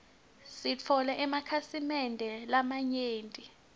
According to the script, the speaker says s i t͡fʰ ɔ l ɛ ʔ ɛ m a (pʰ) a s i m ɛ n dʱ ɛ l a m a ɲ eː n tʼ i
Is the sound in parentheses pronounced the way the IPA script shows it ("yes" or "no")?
no